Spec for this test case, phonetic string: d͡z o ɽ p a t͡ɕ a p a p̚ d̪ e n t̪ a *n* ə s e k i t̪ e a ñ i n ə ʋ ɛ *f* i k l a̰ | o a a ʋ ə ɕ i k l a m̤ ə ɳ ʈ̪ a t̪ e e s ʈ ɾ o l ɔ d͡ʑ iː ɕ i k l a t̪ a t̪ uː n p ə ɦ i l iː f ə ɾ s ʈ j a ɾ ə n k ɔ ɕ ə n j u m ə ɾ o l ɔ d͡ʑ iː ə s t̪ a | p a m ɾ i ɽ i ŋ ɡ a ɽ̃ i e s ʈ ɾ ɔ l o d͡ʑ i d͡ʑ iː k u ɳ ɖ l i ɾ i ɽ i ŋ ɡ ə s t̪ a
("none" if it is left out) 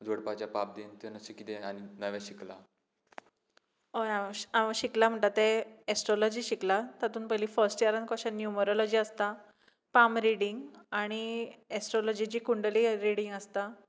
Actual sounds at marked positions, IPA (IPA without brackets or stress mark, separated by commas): n, ɕ